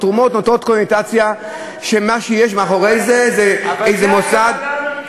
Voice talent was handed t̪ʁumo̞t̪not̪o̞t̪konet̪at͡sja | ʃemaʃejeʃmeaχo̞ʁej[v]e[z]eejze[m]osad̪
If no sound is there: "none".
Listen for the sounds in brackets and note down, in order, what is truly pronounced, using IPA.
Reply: z, z, m

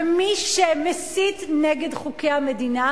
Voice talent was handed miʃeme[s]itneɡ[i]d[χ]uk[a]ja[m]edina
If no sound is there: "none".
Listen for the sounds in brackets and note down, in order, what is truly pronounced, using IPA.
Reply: s, e, χ, e, m

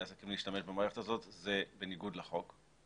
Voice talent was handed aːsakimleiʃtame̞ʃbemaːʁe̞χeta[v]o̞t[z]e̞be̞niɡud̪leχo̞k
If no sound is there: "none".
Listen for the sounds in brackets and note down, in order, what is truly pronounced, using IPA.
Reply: z, z

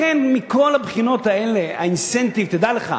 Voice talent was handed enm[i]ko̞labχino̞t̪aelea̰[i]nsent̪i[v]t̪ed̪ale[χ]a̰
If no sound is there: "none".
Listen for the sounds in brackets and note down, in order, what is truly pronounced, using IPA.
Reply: i, i, v, χ

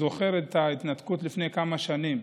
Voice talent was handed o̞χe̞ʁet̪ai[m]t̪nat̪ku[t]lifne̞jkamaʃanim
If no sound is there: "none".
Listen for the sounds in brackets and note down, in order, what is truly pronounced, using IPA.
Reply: none, t

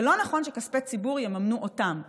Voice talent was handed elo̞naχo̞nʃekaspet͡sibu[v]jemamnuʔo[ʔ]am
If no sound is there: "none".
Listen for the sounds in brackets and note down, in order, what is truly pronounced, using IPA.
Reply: ʁ, t

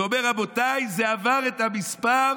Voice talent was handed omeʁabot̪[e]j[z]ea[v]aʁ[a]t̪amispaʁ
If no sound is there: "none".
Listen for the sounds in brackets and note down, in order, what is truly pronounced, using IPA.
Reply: a, z, v, e

